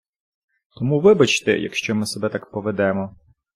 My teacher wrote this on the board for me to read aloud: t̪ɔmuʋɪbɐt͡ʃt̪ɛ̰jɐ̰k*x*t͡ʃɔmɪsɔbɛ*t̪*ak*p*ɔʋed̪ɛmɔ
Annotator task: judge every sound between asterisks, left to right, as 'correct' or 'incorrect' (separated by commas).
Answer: incorrect, correct, correct